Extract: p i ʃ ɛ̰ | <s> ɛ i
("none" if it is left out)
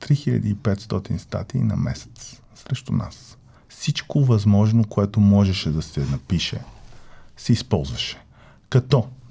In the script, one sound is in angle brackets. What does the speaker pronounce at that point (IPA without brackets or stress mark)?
s